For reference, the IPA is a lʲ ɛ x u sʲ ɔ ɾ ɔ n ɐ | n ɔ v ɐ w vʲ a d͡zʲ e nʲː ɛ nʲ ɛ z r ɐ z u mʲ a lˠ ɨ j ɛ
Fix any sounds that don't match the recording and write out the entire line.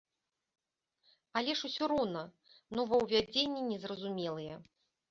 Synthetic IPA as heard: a lʲ ɛ ʂ u sʲ ɔ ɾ ɔ n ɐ | n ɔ v ɐ w vʲ a d͡zʲ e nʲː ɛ nʲ ɛ z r ɐ z u mʲ ɛ lˠ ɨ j ɛ